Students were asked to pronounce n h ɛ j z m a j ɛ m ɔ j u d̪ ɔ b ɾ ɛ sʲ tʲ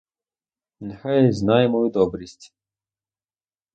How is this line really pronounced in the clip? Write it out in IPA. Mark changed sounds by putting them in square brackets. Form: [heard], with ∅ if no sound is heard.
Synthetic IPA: n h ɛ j z [n] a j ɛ m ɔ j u d̪ ɔ b ɾ [i] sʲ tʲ